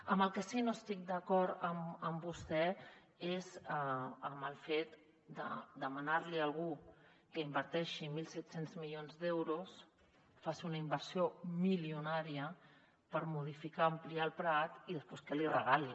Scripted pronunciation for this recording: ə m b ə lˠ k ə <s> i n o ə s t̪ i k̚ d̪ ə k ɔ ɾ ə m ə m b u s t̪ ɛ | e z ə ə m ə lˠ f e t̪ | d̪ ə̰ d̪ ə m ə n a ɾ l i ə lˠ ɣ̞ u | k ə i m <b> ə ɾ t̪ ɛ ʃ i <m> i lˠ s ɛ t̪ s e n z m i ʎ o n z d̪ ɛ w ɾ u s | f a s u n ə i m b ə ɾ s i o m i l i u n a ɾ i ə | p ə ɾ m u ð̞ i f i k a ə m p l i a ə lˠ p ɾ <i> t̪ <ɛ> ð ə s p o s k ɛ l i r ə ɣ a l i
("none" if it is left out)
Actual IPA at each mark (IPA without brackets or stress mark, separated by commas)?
s, b, m, a, i